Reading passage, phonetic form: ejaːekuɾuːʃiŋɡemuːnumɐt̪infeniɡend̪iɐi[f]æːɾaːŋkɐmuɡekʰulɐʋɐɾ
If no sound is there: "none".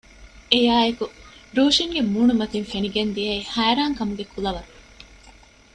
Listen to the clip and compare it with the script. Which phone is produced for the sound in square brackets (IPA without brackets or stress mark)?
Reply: h